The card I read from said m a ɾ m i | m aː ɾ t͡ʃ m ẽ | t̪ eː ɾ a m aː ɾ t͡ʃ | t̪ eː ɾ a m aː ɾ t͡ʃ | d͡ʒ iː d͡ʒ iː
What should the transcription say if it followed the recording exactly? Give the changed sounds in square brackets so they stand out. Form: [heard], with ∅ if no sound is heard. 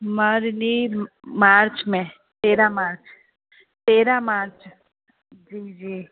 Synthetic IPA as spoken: m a ɾ [n] i | m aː ɾ t͡ʃ m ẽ | t̪ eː ɾ a m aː ɾ t͡ʃ | t̪ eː ɾ a m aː ɾ t͡ʃ | d͡ʒ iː d͡ʒ iː